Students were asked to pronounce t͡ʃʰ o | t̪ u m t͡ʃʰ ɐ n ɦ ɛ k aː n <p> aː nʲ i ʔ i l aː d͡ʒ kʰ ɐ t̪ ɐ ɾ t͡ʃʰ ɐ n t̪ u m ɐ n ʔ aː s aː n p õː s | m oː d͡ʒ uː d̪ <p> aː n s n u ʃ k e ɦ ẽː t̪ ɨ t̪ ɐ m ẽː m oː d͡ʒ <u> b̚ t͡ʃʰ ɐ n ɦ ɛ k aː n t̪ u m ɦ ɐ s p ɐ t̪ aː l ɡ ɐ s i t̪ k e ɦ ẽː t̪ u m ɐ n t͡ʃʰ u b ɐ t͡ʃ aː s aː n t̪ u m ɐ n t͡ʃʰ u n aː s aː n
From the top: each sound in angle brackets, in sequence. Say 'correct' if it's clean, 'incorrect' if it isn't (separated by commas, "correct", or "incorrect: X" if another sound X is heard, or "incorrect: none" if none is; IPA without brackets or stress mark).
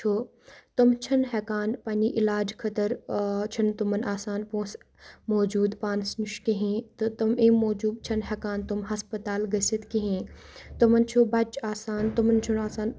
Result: correct, correct, incorrect: uː